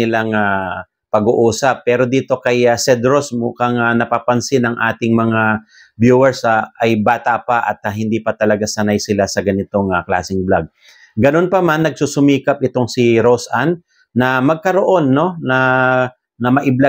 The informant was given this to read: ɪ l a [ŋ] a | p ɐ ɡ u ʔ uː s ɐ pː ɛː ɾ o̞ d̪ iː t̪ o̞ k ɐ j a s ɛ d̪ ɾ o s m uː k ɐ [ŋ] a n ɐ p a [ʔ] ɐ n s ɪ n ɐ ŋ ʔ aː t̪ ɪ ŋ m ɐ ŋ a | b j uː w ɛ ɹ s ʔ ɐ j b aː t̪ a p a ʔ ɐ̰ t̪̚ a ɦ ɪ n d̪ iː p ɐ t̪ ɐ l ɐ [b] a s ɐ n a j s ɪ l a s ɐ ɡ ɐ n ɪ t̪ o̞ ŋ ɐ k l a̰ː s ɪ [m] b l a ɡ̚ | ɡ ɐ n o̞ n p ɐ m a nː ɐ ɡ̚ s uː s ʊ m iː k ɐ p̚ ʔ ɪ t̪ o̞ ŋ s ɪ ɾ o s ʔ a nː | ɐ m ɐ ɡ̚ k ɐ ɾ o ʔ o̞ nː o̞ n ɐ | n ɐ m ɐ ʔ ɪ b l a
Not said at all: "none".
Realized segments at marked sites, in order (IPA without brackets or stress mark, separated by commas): ŋ, ŋ, p, ɡ, ŋ